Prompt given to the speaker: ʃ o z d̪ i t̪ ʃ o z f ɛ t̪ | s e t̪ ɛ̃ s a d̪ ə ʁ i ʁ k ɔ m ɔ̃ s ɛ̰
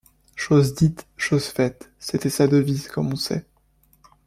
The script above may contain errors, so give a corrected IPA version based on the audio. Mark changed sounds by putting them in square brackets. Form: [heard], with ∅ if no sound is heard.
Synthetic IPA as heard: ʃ o z d̪ i t̪ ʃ o z f ɛ t̪ | s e t̪ [ɛ] s a d̪ ə [v] i [z] k ɔ m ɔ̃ s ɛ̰